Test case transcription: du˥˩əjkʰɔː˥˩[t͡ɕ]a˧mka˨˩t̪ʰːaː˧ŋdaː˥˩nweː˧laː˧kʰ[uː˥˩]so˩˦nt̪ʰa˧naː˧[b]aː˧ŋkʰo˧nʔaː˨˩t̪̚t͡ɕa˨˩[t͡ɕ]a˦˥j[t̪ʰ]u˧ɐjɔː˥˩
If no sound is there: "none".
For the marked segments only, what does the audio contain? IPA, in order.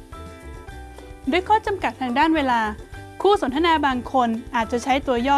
t͡ɕ, uː˥˩, b, t͡ɕʰ, t̪

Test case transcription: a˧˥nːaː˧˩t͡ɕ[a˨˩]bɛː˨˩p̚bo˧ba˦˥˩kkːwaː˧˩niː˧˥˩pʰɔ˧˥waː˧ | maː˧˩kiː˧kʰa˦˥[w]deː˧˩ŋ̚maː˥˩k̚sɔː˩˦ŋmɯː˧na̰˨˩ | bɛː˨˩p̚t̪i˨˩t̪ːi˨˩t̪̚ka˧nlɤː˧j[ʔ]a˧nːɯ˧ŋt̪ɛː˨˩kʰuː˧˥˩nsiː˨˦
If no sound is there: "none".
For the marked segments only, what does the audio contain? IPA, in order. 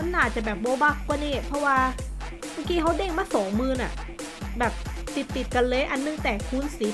a˨˩, w, ʔ

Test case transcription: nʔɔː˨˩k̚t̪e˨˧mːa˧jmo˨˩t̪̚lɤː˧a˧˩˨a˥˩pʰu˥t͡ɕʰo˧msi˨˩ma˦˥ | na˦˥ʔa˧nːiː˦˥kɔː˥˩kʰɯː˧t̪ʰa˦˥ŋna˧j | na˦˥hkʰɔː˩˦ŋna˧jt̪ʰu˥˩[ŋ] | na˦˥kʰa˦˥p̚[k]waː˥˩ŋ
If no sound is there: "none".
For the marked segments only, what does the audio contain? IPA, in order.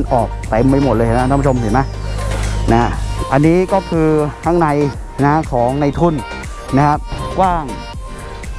n, k

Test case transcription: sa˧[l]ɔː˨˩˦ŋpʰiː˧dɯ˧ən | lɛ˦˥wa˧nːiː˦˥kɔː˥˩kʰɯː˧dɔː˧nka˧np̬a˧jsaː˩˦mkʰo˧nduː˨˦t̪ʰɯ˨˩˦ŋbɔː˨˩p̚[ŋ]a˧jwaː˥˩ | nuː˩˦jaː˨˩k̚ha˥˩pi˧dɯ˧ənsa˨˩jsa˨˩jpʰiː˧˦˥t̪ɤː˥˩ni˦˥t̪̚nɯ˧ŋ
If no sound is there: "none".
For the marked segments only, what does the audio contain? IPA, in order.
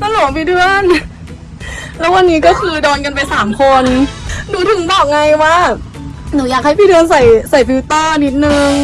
l, ŋ

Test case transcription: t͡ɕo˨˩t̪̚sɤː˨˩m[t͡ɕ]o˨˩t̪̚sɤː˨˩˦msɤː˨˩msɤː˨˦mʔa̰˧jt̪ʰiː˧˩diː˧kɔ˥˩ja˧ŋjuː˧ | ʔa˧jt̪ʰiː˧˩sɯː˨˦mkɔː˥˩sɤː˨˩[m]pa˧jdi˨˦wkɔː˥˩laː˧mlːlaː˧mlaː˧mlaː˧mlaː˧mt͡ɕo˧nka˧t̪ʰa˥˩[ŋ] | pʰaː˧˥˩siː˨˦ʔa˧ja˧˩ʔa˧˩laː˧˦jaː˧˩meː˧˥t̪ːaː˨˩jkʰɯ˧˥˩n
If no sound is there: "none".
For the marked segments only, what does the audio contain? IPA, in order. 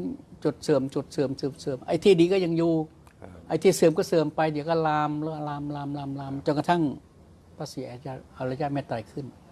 t͡ɕ, m, ŋ

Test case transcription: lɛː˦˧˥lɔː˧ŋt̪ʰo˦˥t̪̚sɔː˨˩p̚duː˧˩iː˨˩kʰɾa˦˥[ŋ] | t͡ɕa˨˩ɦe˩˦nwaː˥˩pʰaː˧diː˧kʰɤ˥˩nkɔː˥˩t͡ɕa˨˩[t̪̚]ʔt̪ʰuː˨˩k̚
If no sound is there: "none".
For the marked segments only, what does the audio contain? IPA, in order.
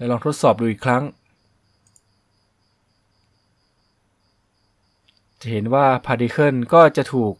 ŋ, none

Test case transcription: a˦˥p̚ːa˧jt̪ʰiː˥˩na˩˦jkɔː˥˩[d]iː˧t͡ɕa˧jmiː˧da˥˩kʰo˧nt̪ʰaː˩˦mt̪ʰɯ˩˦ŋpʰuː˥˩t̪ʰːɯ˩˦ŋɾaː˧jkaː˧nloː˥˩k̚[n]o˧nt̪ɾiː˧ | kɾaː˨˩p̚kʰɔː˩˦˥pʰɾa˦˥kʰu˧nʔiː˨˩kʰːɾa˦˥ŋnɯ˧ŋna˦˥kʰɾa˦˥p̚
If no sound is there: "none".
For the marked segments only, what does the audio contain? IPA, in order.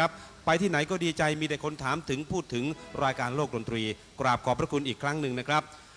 d, d

